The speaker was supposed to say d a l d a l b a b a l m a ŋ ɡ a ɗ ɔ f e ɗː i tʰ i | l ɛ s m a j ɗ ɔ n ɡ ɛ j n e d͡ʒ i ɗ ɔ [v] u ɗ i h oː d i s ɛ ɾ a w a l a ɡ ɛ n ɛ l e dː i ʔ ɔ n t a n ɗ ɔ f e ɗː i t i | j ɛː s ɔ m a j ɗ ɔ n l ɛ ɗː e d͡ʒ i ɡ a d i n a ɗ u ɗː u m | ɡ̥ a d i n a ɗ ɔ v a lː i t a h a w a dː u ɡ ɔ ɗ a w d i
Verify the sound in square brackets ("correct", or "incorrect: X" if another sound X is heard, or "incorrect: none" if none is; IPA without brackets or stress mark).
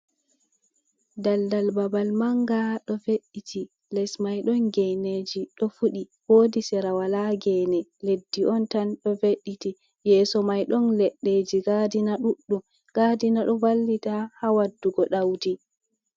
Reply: incorrect: f